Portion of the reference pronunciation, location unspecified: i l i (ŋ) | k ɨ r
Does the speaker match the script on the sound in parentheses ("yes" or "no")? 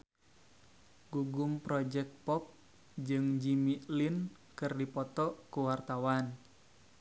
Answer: no